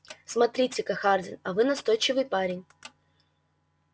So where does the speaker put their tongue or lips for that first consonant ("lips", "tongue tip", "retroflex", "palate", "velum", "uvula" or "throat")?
tongue tip